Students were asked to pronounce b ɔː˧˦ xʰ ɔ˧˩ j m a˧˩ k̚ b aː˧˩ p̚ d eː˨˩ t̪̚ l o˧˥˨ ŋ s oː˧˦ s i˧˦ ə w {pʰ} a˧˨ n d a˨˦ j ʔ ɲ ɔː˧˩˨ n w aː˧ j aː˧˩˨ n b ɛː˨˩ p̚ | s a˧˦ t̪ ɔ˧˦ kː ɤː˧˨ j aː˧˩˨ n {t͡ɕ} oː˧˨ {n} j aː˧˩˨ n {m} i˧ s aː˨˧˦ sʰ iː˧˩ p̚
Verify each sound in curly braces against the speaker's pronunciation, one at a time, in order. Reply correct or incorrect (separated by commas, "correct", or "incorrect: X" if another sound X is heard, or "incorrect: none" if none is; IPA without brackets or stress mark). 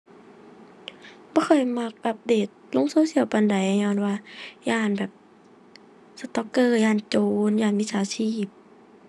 incorrect: p, correct, correct, correct